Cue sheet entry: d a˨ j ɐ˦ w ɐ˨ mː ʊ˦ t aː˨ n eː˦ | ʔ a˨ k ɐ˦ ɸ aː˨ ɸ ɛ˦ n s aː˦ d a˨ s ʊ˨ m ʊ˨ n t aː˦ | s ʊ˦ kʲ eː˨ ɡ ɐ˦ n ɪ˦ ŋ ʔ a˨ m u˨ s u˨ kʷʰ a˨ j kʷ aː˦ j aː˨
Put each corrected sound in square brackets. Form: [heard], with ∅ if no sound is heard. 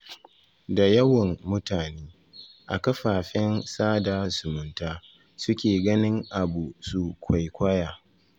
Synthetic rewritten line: d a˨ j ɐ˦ w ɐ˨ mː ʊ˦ t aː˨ n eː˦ | ʔ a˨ k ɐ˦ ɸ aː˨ ɸ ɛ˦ n s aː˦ d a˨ s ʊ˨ m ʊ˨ n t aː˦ | s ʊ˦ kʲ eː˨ ɡ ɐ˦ n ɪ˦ ŋ ʔ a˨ [b] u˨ s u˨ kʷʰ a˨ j kʷ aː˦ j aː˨